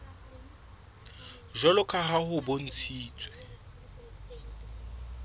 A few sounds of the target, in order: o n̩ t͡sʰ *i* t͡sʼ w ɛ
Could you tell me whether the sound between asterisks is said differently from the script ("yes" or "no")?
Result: yes